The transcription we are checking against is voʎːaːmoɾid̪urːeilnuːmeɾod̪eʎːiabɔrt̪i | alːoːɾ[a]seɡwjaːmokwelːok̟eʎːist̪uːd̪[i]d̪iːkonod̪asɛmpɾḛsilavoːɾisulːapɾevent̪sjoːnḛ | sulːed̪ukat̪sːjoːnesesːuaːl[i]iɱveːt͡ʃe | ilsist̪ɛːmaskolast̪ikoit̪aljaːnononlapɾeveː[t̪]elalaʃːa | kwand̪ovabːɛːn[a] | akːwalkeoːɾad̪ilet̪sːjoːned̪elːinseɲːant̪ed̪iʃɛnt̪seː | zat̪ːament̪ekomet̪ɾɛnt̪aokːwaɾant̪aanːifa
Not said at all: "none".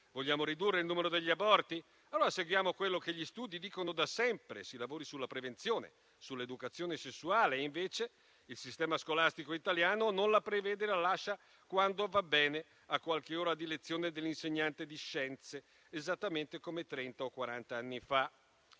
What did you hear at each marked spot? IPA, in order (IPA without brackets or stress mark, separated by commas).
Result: a, i, e, d̪, e